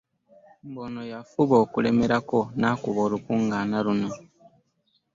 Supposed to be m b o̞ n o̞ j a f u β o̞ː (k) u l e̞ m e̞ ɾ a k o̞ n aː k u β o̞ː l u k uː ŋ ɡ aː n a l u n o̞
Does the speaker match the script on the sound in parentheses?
yes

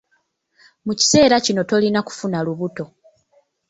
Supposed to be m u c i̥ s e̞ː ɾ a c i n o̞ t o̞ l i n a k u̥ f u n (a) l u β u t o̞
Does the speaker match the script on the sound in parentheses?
yes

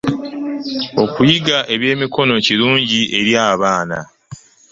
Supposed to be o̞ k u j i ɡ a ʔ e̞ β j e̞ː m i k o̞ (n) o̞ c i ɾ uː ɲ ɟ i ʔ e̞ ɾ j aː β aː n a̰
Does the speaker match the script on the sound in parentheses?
yes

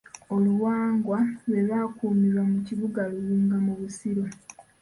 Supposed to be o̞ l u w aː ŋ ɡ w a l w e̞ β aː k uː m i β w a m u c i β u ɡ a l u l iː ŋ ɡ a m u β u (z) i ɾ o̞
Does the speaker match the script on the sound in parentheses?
no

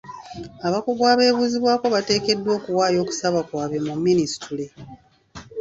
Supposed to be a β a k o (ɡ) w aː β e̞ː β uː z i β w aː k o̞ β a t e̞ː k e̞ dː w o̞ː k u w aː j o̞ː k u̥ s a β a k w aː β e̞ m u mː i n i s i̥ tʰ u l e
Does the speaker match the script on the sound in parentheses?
yes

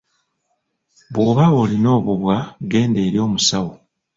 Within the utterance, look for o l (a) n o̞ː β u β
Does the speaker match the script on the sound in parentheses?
no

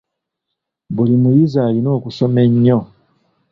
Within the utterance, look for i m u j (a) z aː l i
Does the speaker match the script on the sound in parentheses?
no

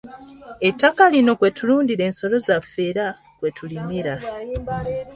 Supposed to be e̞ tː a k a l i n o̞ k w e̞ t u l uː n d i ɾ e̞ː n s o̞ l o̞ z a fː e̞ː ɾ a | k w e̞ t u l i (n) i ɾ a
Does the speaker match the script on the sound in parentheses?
no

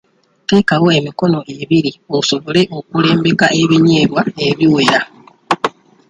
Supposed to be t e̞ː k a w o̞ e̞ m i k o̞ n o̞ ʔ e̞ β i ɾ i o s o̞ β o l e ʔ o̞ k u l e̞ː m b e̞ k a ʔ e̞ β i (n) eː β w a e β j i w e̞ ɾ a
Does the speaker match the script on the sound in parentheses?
no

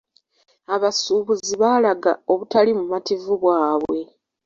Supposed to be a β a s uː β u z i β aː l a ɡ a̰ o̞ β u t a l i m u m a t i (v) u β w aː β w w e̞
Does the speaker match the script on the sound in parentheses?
yes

